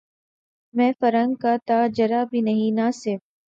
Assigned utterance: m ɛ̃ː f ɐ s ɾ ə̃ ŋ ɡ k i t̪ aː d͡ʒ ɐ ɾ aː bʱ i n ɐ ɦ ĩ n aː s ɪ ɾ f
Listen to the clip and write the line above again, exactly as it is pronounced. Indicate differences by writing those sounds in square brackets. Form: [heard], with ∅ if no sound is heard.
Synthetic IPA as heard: m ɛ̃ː f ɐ [∅] ɾ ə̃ ŋ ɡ k [a] t̪ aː d͡ʒ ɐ ɾ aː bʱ i n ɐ ɦ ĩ n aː s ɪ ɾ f